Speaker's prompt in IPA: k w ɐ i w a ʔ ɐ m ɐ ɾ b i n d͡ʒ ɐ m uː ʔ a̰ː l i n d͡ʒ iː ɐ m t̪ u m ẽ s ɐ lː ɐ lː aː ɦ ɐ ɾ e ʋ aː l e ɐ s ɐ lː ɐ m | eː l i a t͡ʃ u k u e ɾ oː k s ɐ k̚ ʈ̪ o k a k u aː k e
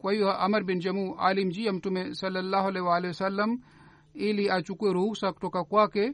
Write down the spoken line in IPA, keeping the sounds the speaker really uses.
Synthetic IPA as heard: k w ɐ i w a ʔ ɐ m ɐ ɾ b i n d͡ʒ ɐ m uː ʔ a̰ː l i m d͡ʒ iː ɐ m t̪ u m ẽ s ɐ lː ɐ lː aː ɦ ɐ l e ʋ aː l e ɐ s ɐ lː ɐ m | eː l i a t͡ʃ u k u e ɾ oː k s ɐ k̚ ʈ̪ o k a k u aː k e